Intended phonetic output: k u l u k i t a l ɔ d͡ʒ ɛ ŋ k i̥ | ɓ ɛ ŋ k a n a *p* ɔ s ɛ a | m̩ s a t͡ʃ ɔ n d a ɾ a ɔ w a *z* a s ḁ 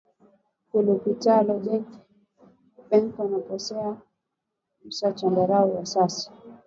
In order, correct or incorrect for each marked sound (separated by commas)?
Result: correct, incorrect